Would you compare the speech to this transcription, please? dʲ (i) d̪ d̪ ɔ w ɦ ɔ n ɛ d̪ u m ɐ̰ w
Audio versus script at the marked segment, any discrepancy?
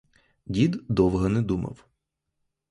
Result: no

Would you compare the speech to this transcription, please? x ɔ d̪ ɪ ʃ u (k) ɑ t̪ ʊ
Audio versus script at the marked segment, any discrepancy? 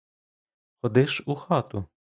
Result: yes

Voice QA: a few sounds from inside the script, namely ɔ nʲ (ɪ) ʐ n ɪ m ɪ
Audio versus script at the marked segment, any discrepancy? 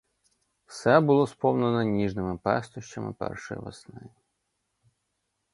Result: yes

